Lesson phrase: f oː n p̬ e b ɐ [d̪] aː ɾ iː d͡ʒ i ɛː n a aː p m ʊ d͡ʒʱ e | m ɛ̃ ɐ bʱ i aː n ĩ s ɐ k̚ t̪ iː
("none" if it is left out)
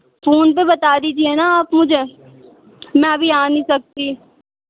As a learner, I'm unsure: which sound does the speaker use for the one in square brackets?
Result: t̪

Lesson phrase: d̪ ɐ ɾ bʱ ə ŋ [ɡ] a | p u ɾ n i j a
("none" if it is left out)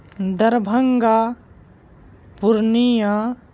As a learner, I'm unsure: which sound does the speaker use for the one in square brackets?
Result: ɡ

